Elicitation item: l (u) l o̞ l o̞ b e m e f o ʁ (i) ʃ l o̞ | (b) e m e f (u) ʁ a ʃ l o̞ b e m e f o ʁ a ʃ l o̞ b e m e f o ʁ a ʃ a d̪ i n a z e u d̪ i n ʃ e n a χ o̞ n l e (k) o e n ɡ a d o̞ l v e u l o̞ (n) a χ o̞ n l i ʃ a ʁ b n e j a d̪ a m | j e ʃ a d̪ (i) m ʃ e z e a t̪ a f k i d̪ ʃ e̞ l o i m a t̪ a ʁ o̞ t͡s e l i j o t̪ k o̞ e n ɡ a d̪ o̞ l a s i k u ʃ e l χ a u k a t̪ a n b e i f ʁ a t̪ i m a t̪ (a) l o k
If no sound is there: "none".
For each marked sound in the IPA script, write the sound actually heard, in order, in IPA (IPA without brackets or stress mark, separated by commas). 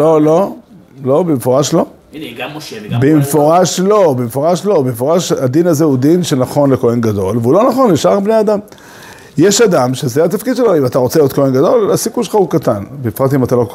o, a, b, o, k, n, a, a